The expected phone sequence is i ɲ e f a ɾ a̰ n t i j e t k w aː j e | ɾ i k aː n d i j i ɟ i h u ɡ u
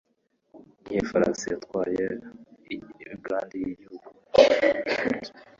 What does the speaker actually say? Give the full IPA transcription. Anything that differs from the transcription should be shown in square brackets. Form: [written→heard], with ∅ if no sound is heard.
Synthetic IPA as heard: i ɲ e f a ɾ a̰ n [t→s] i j [e→a] t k w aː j e | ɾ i [k→ɡ] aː n d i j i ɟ i h u ɡ u

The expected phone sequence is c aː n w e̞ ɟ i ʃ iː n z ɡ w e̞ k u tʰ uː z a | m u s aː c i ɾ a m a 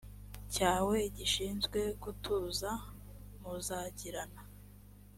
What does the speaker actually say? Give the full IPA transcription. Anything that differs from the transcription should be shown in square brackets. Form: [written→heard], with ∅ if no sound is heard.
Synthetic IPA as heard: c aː [n→∅] w e̞ ɟ i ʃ iː n z ɡ w e̞ k u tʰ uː z a | m u [s→z] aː [c→ɟ] i ɾ a [m→n] a

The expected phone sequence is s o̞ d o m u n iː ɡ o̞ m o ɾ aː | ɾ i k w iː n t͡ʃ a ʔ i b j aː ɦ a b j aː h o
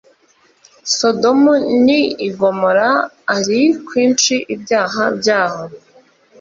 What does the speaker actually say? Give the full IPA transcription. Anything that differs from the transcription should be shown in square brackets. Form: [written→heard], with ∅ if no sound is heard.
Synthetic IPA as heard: s o̞ d o m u n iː ɡ o̞ m o ɾ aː | ɾ i k w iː n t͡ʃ [a→i] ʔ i b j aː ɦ a b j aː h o

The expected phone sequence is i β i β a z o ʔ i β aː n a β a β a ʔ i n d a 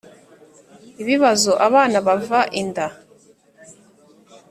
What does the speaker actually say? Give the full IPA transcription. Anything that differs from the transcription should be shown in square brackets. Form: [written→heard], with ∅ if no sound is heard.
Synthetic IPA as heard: i β i β a z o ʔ [i→a] β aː n a β a [β→v] a ʔ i n d a

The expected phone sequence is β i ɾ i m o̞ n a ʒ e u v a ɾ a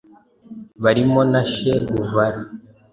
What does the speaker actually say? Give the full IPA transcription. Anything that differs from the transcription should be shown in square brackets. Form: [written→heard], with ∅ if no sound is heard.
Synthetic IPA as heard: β [i→a] ɾ i m o̞ n a [ʒ→ʃ] e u v a ɾ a

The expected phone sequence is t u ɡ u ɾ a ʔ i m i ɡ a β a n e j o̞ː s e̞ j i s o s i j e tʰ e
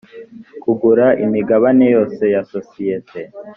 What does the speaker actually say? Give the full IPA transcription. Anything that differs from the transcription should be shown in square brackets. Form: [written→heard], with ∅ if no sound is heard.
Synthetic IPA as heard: [t→k] u ɡ u ɾ a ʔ i m i ɡ a β a n e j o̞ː s e̞ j [i→a] s o s i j e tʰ e

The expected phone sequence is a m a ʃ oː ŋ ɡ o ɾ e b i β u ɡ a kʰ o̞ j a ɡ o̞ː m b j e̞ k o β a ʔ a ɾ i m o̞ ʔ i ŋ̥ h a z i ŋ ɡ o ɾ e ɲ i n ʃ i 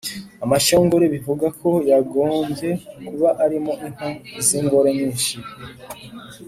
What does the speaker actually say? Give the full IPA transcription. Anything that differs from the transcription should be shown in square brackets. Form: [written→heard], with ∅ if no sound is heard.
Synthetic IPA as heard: a m a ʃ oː ŋ ɡ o ɾ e [b→β] i [β→v] u ɡ a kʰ o̞ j a ɡ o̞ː m b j e̞ k [o→u] β a ʔ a ɾ i m o̞ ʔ i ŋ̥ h a z i ŋ ɡ o ɾ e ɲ [i→iː] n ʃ i

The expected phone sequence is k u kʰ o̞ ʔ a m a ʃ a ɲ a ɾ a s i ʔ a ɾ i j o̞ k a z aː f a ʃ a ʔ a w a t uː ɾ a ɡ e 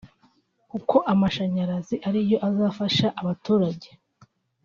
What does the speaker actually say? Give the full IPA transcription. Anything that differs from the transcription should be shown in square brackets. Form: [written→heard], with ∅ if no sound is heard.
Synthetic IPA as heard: k u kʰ o̞ ʔ a m a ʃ a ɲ a ɾ a [s→z] i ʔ a ɾ i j o̞ [k→ʔ] a z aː f a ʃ a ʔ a [w→β] a t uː ɾ a [ɡ→ɟ] e

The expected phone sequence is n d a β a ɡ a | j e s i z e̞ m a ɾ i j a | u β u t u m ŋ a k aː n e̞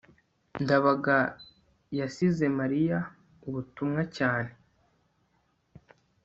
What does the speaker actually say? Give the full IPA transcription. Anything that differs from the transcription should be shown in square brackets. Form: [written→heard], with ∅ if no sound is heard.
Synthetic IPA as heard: n d a β a ɡ a | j [e→a] s i z e̞ m a ɾ i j a | u β u t u m ŋ a [k→c] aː n e̞

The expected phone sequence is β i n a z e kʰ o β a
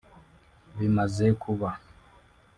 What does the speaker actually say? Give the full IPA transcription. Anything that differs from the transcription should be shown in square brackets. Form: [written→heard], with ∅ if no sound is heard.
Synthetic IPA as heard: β i [n→m] a z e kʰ [o→u] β a

